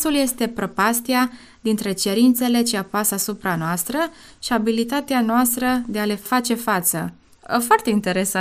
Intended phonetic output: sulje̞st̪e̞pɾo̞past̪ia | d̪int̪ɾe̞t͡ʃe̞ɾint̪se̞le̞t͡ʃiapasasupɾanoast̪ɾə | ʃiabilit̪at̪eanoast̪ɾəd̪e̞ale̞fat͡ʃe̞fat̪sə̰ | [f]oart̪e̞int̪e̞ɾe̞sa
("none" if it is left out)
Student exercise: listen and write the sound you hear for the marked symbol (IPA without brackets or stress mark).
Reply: f